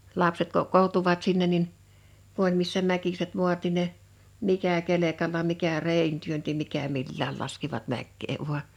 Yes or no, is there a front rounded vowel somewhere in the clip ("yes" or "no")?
yes